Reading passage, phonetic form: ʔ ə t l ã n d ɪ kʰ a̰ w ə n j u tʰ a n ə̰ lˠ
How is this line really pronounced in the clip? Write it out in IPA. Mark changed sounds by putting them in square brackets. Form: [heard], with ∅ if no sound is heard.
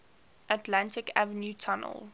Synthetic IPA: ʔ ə t l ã n [t] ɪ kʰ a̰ [v] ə n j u tʰ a n ə̰ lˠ